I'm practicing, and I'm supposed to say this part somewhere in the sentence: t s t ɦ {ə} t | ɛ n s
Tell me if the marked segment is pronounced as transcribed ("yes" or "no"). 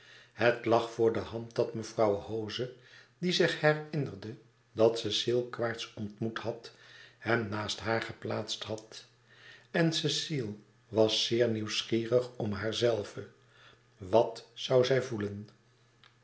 no